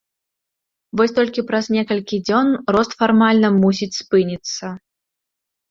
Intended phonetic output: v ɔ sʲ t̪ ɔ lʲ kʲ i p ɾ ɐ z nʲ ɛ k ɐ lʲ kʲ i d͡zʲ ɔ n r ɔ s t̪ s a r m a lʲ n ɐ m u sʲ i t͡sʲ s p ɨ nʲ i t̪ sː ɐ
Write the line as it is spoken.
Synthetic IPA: v ɔ sʲ t̪ ɔ lʲ kʲ i p ɾ ɐ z nʲ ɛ k ɐ lʲ kʲ i d͡zʲ ɔ n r ɔ s t̪ f a r m a lʲ n ɐ m u sʲ i t͡sʲ s p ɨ nʲ i t̪ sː ɐ

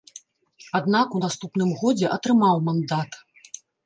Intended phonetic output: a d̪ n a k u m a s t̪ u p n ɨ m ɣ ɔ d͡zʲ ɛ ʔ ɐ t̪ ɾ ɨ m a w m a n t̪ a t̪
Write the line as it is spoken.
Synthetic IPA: a d̪ n a k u n a s t̪ u p n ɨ m ɣ ɔ d͡zʲ ɛ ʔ ɐ t̪ ɾ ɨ m a w m a n d̪ a t̪

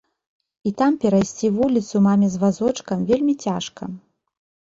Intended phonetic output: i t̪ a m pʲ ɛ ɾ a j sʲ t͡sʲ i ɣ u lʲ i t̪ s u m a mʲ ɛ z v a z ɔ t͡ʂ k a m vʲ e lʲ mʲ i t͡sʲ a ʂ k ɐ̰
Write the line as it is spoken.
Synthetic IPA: i t̪ a m pʲ ɛ ɾ a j sʲ t͡sʲ i v u lʲ i t̪ s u m a mʲ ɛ z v a z ɔ t͡ʂ k ɐ m vʲ e lʲ mʲ i t͡sʲ a ʂ k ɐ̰

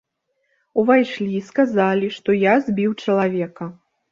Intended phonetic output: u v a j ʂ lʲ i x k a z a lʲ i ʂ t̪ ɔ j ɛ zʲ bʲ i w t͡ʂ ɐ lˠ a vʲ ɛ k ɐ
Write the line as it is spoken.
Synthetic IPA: u v a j ʂ lʲ i s k a z a lʲ i ʂ t̪ ɔ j a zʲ bʲ i w t͡ʂ ɐ lˠ a vʲ ɛ k ɐ

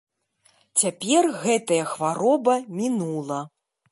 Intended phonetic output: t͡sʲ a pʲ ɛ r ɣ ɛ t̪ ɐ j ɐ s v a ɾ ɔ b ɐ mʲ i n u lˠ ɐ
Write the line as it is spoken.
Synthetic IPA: t͡sʲ a pʲ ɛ r ɣ ɛ t̪ ɐ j ɐ x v a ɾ ɔ b ɐ mʲ i n u lˠ ɐ

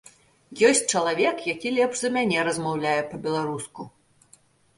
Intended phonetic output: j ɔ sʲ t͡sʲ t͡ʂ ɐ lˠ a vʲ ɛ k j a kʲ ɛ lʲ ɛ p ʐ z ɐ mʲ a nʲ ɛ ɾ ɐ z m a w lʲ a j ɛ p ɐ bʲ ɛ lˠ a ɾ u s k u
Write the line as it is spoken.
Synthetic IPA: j ɔ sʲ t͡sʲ t͡ʂ ɐ lˠ a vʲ ɛ k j a kʲ i lʲ ɛ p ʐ z ɐ mʲ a nʲ ɛ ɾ ɐ z m a w lʲ a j ɛ p ɐ bʲ ɛ lˠ a ɾ u s k u

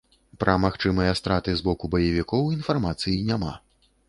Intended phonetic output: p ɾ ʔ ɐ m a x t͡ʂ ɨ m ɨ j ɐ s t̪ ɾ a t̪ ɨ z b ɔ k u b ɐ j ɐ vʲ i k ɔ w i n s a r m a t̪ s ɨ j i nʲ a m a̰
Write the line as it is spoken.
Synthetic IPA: p ɾ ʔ ɐ m a x t͡ʂ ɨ m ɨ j ɐ s t̪ ɾ a t̪ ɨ z b ɔ k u b ɐ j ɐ vʲ i k ɔ w i n f a r m a t̪ s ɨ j i nʲ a m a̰

